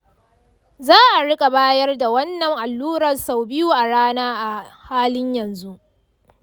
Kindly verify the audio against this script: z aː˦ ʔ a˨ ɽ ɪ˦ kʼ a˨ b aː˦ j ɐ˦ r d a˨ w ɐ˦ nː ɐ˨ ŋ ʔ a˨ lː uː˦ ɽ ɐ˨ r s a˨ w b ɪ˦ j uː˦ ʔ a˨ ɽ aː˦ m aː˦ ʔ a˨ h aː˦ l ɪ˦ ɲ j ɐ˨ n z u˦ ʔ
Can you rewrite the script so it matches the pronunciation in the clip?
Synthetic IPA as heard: z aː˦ ʔ a˨ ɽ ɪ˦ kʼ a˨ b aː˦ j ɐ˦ r d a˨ w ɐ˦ nː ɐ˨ ŋ ʔ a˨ lː uː˦ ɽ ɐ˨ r s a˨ w b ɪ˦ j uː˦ ʔ a˨ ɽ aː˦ n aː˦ ʔ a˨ h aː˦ l ɪ˦ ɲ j ɐ˨ n z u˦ ʔ